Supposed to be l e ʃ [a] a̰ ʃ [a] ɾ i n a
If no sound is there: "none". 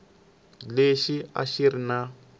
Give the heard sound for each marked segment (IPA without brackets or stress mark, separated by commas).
i, i